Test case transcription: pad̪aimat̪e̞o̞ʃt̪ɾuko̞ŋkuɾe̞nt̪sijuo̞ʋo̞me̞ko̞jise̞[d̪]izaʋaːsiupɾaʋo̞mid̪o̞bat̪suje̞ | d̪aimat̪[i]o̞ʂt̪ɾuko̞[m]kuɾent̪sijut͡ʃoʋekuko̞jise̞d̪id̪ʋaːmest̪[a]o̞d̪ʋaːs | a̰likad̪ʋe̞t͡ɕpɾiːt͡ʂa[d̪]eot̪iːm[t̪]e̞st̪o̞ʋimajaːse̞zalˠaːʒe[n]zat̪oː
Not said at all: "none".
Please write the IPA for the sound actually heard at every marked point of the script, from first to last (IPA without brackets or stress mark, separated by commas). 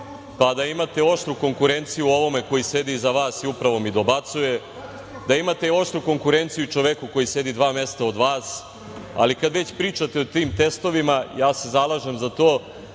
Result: d̪, e, ŋ, a, t̪, t̪, m